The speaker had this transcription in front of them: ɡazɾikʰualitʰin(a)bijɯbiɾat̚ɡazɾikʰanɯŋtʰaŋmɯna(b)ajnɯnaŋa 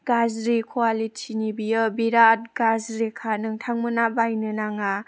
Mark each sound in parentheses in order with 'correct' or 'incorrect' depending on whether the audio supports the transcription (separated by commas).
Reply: incorrect, correct